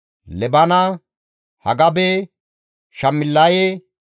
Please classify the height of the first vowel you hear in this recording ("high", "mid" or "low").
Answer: mid